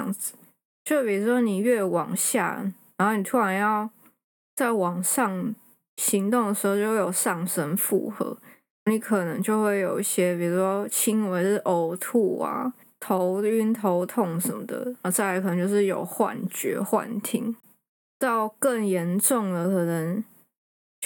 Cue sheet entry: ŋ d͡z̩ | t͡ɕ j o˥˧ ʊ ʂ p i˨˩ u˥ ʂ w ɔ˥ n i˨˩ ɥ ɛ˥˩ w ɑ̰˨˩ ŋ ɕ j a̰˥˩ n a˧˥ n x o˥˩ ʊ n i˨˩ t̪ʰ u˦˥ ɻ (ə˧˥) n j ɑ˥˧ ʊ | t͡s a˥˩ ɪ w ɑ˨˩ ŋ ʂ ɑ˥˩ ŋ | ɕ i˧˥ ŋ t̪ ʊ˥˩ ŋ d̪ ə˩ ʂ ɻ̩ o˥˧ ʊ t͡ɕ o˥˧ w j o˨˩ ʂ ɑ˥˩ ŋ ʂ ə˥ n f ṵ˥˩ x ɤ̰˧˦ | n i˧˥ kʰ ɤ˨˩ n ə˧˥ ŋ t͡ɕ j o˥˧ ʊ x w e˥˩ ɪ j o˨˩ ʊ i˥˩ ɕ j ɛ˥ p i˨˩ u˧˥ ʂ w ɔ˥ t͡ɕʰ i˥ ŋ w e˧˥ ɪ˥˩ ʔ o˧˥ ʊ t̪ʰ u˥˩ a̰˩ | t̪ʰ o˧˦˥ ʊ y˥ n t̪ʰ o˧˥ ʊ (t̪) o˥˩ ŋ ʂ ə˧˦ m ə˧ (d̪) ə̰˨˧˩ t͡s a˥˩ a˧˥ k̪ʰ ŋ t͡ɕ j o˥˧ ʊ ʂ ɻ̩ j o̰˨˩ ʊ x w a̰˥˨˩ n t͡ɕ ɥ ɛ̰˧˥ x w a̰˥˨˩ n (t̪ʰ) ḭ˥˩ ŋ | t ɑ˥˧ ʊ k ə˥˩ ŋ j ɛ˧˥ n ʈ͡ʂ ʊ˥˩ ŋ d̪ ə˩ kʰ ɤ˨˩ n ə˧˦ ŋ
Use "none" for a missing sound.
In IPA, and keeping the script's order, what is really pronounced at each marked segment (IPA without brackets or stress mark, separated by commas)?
a˧˥, t̪ʰ, d̪, t̪ʰ